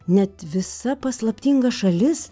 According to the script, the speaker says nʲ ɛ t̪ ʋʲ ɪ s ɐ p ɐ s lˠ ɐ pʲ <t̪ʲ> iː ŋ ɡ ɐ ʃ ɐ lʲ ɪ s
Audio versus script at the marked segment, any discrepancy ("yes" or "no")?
no